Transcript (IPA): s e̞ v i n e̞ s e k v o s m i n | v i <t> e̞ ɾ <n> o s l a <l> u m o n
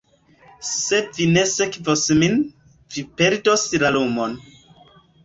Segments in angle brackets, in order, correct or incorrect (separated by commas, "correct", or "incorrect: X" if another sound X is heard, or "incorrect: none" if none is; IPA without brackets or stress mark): incorrect: p, incorrect: d, correct